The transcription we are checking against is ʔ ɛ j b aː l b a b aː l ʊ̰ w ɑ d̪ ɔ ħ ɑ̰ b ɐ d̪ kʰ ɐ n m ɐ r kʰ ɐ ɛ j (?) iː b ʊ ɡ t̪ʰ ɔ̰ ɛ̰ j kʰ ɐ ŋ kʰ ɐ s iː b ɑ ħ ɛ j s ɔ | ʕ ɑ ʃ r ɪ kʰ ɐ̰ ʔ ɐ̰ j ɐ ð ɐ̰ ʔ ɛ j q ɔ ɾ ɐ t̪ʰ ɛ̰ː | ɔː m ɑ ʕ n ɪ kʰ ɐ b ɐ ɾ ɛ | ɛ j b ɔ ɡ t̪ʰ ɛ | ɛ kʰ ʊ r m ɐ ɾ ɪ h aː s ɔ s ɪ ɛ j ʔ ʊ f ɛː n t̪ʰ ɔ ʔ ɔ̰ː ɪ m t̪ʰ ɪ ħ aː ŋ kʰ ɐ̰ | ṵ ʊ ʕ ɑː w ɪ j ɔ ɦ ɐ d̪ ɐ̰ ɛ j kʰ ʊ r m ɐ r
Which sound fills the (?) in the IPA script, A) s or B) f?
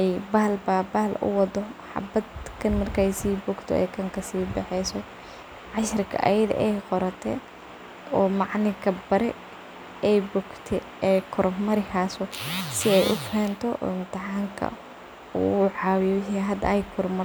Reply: A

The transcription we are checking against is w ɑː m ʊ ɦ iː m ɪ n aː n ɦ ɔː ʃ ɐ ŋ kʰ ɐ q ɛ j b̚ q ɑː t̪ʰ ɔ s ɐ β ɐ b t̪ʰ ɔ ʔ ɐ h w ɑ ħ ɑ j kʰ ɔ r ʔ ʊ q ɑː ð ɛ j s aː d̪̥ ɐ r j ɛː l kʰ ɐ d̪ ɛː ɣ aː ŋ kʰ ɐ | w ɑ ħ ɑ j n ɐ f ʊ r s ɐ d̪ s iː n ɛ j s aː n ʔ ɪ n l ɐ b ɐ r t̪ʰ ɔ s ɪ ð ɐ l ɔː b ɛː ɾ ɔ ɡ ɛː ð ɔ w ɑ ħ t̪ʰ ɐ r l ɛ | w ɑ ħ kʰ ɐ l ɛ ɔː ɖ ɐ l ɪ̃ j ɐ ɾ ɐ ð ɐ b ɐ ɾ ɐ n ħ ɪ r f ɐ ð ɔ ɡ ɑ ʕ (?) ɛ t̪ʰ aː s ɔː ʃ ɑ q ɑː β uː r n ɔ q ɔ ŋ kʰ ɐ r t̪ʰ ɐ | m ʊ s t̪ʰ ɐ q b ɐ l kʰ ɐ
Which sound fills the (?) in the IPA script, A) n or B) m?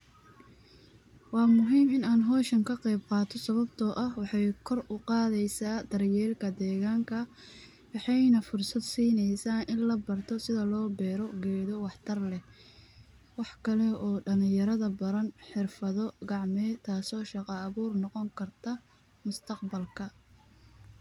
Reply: B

